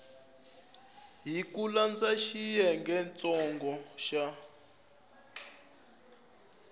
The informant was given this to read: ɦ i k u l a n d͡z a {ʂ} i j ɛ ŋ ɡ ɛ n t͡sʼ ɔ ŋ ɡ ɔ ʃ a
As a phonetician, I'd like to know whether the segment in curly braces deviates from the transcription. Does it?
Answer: yes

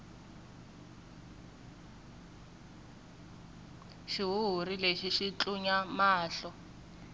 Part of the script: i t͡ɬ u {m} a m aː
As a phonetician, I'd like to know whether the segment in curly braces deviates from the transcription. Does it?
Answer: yes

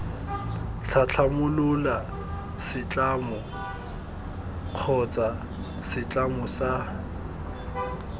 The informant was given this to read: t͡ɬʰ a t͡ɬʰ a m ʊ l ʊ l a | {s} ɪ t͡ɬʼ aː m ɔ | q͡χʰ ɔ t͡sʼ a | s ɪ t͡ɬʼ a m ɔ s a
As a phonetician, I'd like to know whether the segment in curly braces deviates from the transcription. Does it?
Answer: no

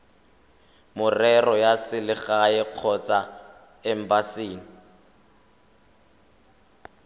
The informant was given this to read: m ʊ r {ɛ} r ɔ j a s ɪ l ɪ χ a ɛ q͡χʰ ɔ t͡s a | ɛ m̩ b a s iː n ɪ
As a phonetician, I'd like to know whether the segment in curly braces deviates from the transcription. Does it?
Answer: no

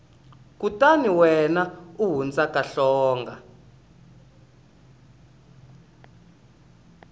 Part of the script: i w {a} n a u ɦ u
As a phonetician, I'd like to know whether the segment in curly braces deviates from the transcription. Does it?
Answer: yes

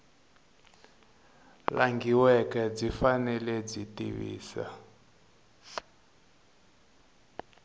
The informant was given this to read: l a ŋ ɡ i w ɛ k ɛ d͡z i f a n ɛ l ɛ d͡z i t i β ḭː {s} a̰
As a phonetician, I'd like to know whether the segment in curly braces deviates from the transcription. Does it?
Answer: no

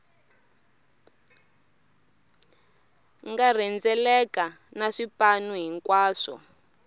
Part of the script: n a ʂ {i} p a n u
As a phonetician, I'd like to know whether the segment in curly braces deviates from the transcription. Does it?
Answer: no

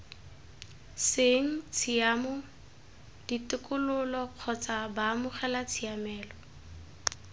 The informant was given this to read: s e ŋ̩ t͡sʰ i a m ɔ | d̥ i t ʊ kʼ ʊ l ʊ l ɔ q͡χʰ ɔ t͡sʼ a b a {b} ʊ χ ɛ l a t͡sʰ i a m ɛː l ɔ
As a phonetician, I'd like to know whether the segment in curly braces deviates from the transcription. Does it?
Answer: yes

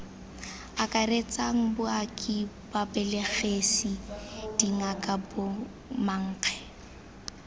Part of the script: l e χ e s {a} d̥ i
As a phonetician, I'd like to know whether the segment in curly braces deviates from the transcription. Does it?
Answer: yes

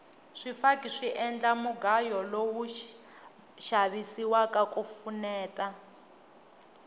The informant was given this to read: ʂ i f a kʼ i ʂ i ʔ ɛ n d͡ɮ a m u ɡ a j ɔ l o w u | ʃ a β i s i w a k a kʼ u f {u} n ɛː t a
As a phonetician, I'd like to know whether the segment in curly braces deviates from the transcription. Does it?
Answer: no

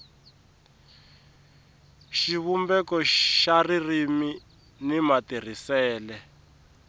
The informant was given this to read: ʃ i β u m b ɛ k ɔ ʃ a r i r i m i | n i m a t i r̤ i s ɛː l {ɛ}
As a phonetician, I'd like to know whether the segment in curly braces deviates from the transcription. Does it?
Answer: no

